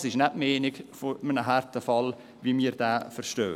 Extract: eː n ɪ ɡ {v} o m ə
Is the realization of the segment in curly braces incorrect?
yes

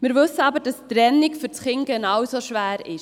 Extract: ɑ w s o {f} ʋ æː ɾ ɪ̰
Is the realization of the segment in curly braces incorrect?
yes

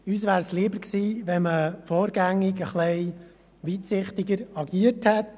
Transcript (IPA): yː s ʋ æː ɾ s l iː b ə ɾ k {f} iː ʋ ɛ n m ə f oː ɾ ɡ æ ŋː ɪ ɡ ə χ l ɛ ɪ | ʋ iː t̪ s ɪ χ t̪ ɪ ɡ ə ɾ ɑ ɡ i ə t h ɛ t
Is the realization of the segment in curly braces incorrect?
yes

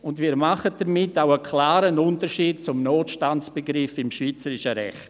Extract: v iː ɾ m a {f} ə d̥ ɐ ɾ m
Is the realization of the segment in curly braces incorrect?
yes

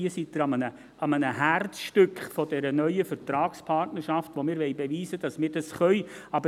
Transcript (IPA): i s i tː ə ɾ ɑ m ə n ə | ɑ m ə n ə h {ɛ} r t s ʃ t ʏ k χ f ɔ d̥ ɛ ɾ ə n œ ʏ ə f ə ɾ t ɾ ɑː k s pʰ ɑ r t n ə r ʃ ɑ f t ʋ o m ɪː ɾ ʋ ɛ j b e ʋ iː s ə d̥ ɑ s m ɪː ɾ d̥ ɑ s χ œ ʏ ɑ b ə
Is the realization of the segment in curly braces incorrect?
yes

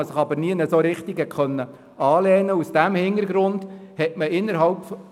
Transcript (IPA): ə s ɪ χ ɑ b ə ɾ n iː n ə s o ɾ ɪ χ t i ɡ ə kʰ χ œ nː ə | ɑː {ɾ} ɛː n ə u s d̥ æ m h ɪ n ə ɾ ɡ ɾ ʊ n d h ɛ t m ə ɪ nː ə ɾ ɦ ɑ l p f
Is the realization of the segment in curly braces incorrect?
yes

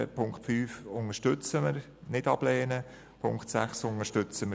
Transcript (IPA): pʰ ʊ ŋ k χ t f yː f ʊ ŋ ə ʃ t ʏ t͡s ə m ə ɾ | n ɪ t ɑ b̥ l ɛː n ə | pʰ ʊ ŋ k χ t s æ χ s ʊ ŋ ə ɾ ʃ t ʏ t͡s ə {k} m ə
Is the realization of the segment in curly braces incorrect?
yes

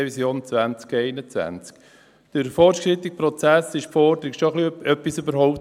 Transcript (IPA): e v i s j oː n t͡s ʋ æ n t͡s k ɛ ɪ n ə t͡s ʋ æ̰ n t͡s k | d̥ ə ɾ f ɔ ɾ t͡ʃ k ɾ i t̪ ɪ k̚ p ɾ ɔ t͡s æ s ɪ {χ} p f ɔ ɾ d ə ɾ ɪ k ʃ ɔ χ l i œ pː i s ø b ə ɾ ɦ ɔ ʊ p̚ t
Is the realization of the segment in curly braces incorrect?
yes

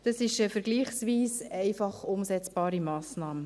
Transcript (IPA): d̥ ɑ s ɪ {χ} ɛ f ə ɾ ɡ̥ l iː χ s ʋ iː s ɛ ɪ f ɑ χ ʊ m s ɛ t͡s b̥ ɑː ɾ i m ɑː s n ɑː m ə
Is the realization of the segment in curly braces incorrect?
yes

